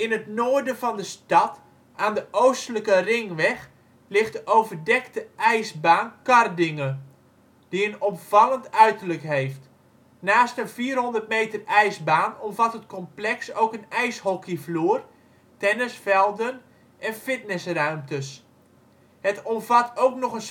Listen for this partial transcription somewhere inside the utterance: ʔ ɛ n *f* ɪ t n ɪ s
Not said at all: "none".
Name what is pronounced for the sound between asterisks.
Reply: f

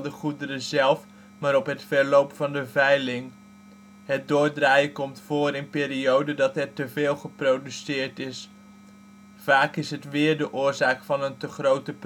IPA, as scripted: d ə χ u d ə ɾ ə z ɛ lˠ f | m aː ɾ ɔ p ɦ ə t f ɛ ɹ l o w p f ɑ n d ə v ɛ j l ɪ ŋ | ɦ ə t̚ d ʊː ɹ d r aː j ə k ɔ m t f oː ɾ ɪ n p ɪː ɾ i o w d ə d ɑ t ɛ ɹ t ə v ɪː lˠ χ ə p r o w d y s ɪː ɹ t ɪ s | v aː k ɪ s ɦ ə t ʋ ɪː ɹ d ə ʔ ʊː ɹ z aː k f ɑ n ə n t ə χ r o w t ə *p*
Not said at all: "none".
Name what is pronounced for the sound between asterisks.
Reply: p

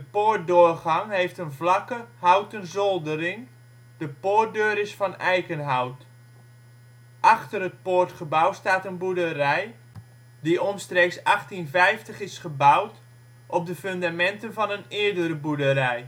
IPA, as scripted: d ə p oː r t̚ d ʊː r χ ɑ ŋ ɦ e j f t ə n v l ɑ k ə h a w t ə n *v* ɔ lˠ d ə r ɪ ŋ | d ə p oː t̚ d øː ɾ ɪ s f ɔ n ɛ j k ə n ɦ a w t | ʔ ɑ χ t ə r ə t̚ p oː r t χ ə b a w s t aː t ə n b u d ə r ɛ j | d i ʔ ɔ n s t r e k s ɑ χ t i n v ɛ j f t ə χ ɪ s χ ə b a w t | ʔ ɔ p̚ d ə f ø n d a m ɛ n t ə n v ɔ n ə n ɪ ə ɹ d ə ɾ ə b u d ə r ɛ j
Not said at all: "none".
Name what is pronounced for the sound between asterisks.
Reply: z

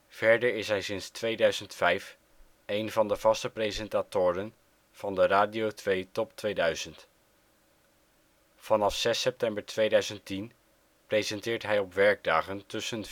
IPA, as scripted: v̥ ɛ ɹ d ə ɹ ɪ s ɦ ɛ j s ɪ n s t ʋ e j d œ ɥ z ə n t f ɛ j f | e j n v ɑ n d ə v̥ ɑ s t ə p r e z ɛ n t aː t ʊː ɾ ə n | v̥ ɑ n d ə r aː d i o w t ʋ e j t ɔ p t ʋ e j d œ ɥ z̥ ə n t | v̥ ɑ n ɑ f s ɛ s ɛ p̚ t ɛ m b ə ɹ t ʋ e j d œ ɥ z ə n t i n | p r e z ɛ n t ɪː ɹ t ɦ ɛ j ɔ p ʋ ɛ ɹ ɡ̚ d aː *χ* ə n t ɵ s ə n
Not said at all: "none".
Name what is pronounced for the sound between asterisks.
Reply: χ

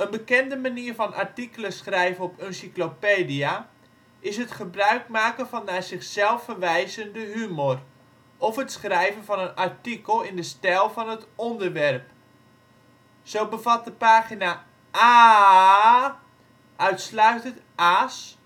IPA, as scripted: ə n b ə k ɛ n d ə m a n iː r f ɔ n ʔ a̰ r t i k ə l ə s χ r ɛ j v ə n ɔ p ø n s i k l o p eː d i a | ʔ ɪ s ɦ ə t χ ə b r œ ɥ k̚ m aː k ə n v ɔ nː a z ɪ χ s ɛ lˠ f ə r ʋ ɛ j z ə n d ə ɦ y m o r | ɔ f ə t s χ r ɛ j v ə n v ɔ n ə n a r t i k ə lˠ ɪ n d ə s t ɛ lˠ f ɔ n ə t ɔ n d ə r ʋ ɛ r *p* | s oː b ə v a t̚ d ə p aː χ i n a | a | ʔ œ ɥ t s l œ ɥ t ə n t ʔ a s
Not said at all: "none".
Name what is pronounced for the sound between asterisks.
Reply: p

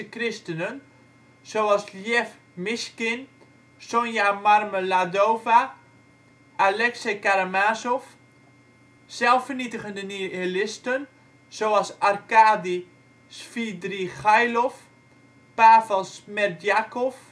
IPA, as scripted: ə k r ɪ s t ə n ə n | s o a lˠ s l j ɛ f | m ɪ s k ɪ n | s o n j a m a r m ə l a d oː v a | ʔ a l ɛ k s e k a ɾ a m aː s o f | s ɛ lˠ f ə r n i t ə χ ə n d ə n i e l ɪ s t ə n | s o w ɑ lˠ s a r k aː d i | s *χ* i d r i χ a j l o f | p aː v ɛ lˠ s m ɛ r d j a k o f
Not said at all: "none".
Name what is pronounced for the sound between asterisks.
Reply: f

